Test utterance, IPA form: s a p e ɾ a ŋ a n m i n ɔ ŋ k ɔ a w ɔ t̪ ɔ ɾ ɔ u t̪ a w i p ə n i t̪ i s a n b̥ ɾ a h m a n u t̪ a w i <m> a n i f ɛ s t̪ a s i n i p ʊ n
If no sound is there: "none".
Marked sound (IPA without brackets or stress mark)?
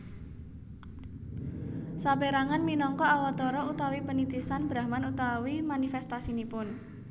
m